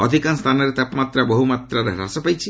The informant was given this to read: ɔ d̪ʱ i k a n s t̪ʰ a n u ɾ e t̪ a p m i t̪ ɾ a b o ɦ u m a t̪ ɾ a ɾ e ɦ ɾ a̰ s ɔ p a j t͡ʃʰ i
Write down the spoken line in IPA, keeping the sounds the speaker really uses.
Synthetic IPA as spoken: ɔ d̪ʱ i k a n s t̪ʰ a n ɔ ɾ e t̪ a p m a t̪ ɾ a b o ɦ u m a t̪ ɾ a ɾ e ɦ ɾ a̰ s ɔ p a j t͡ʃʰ i